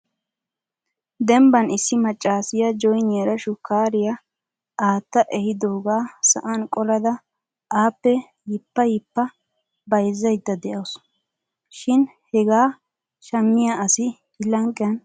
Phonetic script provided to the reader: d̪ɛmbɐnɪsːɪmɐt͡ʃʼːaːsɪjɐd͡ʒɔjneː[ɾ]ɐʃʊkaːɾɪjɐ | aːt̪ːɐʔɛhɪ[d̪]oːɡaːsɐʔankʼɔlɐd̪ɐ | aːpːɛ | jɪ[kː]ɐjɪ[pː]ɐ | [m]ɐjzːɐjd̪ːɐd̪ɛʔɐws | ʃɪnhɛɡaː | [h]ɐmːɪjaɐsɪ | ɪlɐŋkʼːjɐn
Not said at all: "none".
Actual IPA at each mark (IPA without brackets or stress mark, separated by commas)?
ɾ, d̪, pː, pː, b, ʃ